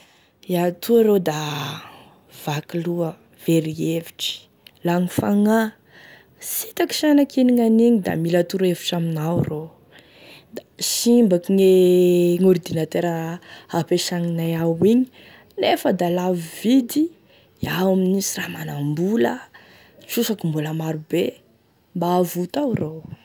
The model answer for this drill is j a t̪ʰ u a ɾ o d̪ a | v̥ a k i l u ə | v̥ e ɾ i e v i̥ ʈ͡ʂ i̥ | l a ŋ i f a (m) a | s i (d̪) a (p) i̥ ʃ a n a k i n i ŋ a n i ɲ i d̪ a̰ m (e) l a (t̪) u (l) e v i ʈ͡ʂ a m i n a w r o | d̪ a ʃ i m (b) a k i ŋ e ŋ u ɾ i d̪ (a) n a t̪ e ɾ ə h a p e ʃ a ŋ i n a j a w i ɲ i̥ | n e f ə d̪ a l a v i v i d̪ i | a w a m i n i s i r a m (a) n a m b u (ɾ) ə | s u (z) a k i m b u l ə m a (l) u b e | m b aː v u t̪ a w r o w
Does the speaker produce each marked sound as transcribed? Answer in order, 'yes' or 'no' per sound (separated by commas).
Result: no, no, no, no, yes, no, yes, no, yes, no, no, no